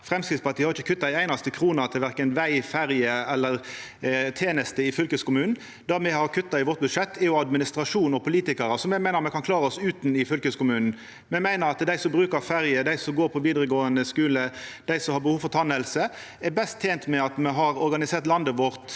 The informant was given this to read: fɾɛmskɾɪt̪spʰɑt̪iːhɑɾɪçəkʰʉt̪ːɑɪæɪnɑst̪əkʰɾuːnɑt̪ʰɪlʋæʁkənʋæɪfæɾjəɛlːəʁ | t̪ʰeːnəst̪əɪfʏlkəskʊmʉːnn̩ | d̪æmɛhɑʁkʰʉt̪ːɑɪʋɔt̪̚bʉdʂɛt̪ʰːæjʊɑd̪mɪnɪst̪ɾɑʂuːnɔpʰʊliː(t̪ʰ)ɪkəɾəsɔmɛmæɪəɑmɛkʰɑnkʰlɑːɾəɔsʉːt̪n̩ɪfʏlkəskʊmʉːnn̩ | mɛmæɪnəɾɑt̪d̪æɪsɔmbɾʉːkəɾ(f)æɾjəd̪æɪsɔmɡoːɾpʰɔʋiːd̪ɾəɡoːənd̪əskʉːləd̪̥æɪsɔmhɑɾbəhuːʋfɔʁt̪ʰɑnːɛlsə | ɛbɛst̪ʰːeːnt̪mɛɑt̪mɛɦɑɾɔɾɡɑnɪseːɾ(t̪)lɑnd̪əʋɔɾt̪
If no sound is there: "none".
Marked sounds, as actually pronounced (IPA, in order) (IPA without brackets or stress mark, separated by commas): t̪, f, t̪